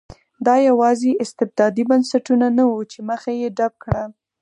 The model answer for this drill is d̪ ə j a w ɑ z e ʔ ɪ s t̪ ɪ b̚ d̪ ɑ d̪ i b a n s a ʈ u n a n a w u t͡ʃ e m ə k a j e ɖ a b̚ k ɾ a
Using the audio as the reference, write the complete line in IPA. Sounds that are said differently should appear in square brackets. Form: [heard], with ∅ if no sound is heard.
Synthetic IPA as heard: d̪ [ɑ] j a w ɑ z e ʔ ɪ s t̪ ɪ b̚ d̪ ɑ d̪ i b a n s a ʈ u n a n a w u t͡ʃ e m ə [x] a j e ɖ a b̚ k [ɽ] a